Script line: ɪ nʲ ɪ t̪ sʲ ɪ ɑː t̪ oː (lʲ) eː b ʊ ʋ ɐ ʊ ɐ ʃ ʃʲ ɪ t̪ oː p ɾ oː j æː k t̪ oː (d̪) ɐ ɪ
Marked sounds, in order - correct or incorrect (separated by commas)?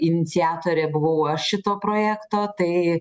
incorrect, incorrect